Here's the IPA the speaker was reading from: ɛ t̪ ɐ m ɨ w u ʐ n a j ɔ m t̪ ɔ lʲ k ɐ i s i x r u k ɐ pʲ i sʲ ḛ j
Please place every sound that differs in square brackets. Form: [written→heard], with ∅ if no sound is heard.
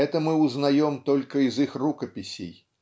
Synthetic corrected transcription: ɛ t̪ ɐ m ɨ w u [ʐ→z] n a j ɔ m t̪ ɔ lʲ k ɐ i [s→z] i x r u k ɐ pʲ i sʲ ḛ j